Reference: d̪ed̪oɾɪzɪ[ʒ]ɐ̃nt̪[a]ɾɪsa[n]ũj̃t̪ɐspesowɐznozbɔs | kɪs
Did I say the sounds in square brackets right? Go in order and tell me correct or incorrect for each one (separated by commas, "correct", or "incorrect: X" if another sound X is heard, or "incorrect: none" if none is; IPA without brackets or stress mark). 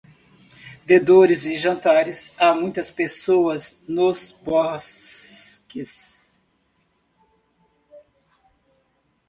correct, correct, incorrect: m